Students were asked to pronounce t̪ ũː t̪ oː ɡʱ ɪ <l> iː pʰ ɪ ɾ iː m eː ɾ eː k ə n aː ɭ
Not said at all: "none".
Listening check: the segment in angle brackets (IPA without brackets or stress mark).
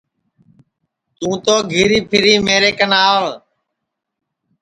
ɾ